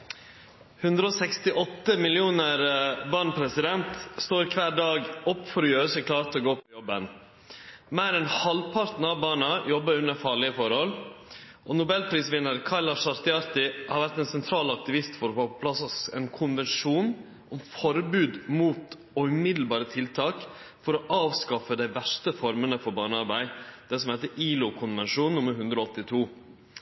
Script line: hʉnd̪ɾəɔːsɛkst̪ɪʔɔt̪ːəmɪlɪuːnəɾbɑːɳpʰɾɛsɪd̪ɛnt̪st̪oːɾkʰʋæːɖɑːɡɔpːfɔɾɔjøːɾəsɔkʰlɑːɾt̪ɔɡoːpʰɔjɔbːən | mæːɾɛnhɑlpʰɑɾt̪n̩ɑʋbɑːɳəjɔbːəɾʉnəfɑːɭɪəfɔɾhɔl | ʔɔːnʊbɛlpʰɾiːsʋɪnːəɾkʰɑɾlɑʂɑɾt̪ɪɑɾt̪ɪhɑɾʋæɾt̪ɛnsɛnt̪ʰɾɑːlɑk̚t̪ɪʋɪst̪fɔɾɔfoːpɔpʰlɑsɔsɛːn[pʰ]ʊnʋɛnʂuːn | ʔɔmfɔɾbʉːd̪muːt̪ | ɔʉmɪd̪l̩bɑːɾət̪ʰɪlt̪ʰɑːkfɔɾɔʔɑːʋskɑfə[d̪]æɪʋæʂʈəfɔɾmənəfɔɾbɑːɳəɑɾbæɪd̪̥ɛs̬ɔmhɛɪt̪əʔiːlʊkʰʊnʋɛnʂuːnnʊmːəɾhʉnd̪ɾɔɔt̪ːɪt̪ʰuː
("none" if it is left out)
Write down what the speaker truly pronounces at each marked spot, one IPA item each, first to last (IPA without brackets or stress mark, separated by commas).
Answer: kʰ, d̪